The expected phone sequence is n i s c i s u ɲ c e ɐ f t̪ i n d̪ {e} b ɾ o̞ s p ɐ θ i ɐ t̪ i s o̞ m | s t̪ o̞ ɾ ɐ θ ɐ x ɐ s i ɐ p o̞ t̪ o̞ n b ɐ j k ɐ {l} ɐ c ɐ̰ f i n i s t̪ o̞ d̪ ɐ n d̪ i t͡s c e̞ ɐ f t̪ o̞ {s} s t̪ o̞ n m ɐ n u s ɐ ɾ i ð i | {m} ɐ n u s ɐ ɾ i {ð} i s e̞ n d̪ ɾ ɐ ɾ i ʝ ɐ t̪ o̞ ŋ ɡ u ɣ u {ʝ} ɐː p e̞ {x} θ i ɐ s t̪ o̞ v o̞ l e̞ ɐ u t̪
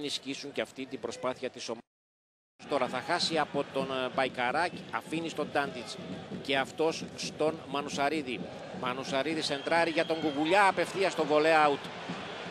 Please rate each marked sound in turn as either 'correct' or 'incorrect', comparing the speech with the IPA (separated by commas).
incorrect, incorrect, correct, correct, correct, incorrect, incorrect